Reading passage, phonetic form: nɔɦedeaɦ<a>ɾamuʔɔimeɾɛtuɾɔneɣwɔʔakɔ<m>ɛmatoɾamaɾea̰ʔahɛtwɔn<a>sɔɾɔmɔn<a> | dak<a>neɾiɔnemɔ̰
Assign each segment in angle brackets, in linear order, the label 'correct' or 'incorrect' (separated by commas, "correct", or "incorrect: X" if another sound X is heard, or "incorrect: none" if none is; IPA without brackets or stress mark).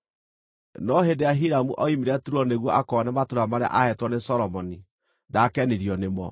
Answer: incorrect: i, incorrect: n, incorrect: e, incorrect: i, incorrect: ɛ